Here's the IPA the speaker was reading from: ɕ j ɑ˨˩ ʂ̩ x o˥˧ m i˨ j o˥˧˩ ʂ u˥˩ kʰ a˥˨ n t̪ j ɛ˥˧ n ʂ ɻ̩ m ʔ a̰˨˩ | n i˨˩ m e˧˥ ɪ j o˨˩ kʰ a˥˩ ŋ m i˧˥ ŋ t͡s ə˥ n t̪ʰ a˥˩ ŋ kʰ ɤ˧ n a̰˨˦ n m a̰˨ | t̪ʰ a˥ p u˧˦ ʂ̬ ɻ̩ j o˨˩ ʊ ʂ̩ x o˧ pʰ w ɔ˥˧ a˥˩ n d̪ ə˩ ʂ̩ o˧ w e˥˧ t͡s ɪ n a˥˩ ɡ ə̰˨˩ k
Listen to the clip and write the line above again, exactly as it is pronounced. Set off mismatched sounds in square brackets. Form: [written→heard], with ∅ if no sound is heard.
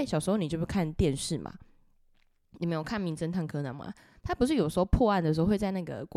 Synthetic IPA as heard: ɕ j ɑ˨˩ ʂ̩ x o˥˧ [m→n] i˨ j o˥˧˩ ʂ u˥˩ kʰ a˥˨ n t̪ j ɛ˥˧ n ʂ ɻ̩ m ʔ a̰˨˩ | n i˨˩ m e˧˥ ɪ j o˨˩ kʰ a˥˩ [ŋ→n] m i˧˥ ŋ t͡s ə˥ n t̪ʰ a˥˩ ŋ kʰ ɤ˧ n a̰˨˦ n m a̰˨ | t̪ʰ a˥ p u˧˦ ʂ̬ ɻ̩ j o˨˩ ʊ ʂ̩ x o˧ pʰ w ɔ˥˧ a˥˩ n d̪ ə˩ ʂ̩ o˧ w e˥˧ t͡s ɪ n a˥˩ ɡ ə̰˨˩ k